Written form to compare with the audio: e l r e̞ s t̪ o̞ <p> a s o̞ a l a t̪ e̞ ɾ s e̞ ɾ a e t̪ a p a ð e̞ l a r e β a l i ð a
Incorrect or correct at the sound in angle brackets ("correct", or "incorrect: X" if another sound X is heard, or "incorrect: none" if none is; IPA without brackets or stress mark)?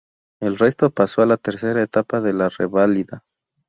correct